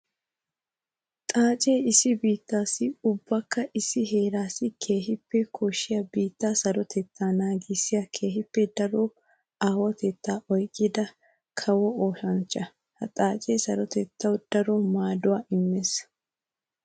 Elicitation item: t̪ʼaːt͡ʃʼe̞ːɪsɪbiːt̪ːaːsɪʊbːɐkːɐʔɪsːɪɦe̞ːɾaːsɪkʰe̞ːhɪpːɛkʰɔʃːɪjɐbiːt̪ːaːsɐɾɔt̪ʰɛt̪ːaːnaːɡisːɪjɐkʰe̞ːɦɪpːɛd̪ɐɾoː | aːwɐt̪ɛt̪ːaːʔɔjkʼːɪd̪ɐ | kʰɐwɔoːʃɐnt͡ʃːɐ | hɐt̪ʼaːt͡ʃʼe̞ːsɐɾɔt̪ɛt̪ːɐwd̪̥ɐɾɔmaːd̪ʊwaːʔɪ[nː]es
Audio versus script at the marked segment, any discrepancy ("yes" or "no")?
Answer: yes